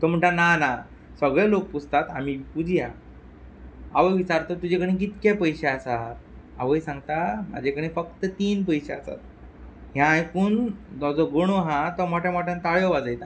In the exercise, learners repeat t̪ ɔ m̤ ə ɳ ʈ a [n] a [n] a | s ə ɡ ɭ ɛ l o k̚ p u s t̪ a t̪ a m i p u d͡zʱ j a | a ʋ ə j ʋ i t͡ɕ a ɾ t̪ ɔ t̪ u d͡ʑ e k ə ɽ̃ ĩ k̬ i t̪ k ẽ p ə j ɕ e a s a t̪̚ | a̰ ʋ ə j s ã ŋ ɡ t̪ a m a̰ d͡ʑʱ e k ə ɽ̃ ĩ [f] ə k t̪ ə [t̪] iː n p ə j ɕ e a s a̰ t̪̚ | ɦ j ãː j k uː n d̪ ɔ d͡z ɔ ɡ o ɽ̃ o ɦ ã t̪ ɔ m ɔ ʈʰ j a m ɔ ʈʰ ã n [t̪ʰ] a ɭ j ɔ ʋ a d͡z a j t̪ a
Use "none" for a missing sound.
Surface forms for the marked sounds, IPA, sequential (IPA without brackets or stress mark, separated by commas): n, n, f, t̪, t̪